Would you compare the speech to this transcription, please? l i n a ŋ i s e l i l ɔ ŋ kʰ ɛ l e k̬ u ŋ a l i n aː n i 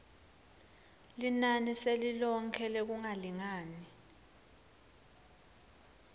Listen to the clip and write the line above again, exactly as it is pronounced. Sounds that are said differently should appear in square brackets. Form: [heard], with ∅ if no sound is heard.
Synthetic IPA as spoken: l i n a [n] i s e l i l ɔ ŋ kʰ ɛ l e k̬ u ŋ a l i [ŋ] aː n i